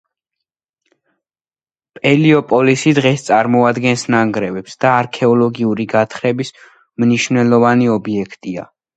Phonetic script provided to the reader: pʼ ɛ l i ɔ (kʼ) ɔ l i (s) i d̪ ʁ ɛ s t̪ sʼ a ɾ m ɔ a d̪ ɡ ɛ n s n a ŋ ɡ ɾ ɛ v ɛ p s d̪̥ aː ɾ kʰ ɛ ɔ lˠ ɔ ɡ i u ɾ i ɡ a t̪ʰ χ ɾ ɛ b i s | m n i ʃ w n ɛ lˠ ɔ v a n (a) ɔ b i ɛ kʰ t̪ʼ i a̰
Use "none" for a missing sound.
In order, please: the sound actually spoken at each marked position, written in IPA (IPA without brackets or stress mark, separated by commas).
pʼ, s, i